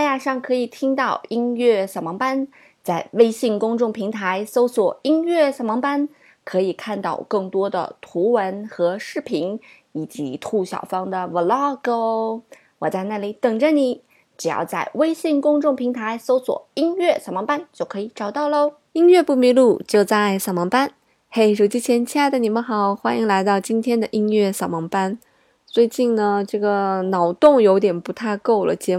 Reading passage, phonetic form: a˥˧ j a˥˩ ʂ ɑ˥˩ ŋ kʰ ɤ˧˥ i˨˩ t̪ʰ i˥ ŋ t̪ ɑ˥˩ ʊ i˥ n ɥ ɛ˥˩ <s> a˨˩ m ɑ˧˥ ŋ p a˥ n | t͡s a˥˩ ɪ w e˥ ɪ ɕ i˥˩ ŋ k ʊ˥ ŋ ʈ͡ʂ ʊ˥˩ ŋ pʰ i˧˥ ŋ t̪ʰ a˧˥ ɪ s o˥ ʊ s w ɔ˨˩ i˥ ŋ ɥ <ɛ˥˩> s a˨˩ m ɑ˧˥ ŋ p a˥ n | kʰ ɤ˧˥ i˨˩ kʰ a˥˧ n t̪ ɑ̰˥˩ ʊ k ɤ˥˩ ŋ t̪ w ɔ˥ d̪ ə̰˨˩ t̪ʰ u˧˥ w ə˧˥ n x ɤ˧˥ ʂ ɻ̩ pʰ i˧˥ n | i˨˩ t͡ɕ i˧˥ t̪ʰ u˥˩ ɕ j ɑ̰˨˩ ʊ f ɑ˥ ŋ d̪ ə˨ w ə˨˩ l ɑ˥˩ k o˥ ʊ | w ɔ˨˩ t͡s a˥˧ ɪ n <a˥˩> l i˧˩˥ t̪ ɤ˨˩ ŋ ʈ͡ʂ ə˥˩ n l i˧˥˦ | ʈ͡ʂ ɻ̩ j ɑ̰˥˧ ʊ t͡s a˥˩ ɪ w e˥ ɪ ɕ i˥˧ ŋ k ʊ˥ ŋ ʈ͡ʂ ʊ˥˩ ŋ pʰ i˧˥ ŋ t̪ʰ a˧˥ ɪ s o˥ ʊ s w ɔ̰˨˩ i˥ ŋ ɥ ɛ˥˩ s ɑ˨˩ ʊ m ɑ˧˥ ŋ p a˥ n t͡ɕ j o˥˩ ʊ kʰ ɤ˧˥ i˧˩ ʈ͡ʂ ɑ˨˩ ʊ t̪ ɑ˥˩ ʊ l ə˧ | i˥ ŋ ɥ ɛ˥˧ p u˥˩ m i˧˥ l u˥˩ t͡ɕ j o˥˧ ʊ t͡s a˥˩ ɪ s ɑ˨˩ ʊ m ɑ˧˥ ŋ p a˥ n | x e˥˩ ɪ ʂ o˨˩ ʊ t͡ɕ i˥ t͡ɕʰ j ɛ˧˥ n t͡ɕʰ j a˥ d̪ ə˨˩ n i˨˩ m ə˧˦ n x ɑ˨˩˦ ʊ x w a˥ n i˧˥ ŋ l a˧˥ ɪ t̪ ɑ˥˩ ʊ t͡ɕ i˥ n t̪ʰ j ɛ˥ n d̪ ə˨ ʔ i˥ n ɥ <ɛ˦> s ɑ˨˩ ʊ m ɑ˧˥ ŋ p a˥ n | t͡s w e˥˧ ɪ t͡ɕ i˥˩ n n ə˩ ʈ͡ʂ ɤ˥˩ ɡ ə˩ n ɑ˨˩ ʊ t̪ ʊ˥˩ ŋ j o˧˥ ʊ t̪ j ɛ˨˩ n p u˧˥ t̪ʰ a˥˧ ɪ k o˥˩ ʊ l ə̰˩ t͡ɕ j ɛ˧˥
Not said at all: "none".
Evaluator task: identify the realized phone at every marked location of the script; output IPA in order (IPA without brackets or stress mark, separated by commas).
s, ɛ˥˩, a˥˩, ɛ˥˩